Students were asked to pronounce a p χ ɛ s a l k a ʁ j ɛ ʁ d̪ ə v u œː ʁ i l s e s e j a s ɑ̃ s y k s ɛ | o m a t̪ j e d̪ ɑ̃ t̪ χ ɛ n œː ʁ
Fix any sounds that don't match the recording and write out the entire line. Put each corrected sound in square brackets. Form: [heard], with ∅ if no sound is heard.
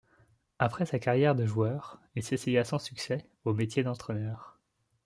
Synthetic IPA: a p χ ɛ s a [∅] k a ʁ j ɛ ʁ d̪ ə [ʒ] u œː ʁ i l s e s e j a s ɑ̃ s y k s ɛ | o m [e] t̪ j e d̪ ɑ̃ t̪ χ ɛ n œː ʁ